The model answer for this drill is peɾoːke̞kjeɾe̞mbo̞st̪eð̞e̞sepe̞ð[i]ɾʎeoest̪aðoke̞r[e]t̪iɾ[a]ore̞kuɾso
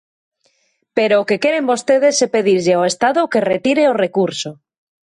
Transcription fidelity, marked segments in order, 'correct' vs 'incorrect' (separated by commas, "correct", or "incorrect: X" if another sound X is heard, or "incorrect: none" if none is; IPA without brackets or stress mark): correct, correct, incorrect: e